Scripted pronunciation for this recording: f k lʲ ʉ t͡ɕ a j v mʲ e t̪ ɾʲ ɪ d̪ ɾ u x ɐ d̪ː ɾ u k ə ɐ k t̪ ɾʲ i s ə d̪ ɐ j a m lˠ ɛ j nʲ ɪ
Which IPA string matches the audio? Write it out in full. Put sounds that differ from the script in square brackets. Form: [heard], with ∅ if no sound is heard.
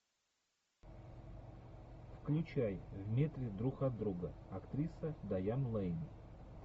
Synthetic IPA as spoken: f k lʲ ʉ t͡ɕ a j v mʲ e t̪ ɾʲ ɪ d̪ ɾ u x ɐ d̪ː ɾ u [ɡ] ə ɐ k t̪ ɾʲ i s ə d̪ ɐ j a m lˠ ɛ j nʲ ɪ